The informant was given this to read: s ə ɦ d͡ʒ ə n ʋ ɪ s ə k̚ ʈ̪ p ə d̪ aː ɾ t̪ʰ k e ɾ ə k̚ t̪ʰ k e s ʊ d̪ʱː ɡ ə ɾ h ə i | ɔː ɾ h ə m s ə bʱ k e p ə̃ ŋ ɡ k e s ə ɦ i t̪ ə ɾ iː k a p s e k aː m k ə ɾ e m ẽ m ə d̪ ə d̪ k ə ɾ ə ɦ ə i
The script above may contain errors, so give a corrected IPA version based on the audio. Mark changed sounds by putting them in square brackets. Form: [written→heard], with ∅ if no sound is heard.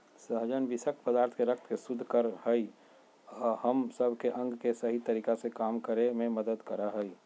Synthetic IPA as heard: s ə ɦ d͡ʒ ə n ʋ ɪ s ə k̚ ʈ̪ p ə d̪ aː ɾ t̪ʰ k e ɾ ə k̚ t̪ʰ k e s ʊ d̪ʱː [ɡ→k] ə ɾ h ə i | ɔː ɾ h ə m s ə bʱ k e [p→ʔ] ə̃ ŋ ɡ k e s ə ɦ i t̪ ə ɾ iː k a [p→∅] s e k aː m k ə ɾ e m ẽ m ə d̪ ə d̪ k ə ɾ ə ɦ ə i